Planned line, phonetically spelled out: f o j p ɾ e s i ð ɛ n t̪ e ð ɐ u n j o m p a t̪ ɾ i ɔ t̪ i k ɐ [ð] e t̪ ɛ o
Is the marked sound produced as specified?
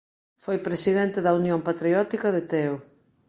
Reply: yes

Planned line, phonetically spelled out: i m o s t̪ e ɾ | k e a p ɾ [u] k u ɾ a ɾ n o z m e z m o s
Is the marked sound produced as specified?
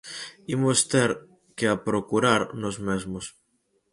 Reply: no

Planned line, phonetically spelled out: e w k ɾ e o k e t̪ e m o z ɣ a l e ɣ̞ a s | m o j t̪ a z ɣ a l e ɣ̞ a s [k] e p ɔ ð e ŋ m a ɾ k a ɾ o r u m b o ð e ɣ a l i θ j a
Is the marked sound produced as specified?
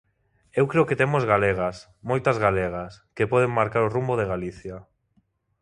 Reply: yes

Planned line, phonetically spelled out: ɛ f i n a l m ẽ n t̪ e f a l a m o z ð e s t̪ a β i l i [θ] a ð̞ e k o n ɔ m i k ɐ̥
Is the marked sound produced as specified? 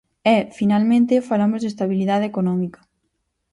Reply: no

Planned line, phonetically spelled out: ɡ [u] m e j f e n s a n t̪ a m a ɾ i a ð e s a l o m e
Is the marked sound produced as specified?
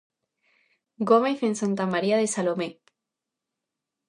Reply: no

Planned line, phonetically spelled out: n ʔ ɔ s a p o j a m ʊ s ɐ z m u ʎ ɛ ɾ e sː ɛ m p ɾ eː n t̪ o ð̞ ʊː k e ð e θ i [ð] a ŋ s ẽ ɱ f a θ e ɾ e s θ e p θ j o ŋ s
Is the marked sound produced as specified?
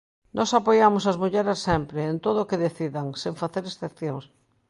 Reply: yes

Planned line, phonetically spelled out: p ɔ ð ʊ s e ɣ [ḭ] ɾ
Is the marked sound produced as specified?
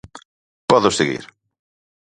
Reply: yes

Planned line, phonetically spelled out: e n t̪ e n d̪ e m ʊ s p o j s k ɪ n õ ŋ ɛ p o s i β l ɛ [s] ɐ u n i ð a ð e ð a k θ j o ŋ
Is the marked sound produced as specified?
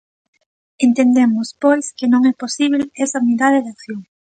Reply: yes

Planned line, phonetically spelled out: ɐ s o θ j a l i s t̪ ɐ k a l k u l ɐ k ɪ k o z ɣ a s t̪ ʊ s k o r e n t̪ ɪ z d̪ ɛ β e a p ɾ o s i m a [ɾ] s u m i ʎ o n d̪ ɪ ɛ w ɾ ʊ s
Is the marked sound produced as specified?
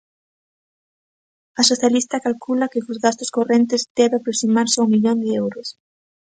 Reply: yes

